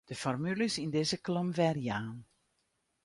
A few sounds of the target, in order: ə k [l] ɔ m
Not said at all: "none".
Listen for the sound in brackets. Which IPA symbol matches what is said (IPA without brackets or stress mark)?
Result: l